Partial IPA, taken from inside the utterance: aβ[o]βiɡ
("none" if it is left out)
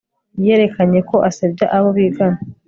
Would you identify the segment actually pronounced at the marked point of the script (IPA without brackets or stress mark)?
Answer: o